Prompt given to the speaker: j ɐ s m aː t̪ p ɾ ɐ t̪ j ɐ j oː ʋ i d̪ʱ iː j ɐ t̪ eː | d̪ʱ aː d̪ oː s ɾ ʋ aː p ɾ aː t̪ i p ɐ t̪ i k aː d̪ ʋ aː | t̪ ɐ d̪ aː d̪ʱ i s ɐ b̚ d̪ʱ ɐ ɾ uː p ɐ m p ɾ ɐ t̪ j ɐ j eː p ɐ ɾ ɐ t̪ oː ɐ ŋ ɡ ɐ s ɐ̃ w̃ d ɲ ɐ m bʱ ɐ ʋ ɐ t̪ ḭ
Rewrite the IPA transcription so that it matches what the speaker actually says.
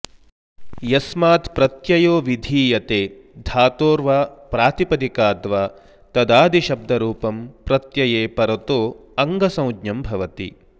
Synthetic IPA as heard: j ɐ s m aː t̪ p ɾ ɐ t̪ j ɐ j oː ʋ i d̪ʱ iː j ɐ t̪ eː | d̪ʱ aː t̪ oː ɾ ʋ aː p ɾ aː t̪ i p ɐ d̪ i k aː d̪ ʋ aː | t̪ ɐ d̪ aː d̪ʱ i ʃ ɐ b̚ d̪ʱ ɐ ɾ uː p ɐ m p ɾ ɐ t̪ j ɐ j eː p ɐ ɾ ɐ t̪ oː ɐ ŋ ɡ ɐ s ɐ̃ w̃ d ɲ ɐ m bʱ ɐ ʋ ɐ t̪ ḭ